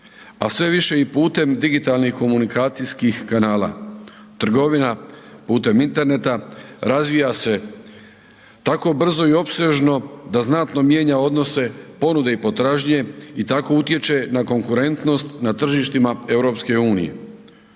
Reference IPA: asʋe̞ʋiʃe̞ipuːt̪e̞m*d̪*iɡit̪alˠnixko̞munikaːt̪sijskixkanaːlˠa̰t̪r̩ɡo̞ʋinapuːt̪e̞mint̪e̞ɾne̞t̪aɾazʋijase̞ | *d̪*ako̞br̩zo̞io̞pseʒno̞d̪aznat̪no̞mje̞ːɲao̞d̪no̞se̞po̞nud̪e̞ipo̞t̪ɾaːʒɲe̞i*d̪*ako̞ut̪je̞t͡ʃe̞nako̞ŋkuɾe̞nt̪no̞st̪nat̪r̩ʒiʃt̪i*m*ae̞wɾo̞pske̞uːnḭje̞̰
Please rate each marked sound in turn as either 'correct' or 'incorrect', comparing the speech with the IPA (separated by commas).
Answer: correct, incorrect, incorrect, correct